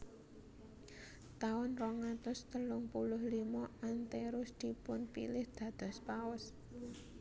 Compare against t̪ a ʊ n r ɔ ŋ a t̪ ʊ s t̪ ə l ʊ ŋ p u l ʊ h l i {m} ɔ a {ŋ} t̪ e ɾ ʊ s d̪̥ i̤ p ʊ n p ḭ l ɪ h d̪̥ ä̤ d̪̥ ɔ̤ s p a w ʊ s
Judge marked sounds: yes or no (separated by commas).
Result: yes, no